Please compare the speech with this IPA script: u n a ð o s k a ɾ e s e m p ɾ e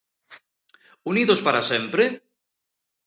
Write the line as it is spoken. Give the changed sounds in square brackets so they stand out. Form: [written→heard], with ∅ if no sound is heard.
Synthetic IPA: u n [a→i] ð o s [k→p] a ɾ [e→a] s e m p ɾ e